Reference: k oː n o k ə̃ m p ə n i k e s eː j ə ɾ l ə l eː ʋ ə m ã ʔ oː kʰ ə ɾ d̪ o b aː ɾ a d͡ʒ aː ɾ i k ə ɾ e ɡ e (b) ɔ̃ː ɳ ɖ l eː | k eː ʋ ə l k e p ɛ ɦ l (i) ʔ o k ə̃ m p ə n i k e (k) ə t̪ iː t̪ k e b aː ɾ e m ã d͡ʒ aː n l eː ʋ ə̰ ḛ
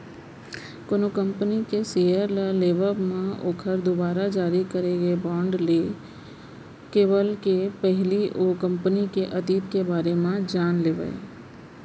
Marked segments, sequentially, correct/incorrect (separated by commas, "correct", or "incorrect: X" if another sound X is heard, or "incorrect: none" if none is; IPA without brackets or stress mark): correct, correct, incorrect: ʔ